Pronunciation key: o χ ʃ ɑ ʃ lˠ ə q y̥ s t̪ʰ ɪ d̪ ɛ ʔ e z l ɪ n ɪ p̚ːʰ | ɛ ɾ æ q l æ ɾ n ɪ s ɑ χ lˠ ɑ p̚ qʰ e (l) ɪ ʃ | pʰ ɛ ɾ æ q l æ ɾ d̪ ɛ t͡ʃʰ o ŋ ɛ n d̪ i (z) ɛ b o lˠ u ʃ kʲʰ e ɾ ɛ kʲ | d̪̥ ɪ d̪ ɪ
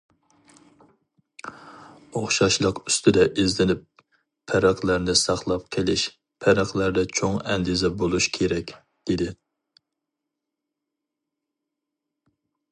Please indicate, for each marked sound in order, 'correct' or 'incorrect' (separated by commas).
correct, correct